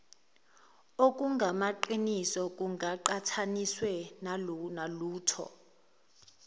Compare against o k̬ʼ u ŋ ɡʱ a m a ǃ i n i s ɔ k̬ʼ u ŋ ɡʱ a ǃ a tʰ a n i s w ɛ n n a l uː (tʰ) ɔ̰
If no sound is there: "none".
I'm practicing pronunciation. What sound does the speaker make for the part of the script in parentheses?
tʰ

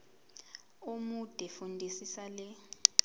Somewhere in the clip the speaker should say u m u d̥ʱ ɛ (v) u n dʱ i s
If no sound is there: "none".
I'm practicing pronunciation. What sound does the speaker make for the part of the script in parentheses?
f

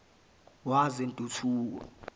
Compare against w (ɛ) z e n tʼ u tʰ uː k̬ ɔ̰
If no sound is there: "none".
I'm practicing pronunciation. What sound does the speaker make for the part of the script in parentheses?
a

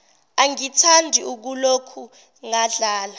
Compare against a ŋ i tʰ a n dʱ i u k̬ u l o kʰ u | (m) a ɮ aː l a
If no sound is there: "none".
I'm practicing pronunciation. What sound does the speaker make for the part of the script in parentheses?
ŋ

